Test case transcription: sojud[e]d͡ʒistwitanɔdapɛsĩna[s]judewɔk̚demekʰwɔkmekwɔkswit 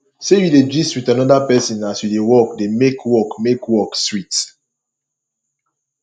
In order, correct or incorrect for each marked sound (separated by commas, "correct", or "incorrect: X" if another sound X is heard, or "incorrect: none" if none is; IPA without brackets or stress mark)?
correct, correct